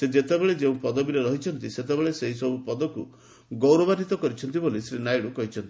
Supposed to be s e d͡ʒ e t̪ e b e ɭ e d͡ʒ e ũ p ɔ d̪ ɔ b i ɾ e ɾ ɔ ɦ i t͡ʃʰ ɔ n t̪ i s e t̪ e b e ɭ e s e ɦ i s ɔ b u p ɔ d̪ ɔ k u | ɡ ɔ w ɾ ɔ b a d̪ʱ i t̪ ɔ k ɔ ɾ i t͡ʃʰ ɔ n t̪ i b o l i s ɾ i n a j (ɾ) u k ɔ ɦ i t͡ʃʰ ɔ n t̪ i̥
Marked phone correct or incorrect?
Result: incorrect